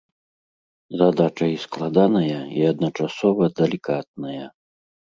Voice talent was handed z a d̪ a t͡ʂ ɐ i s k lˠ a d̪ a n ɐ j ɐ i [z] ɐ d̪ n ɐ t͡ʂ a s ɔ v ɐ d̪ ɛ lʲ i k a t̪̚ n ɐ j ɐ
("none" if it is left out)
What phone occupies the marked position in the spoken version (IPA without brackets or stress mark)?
none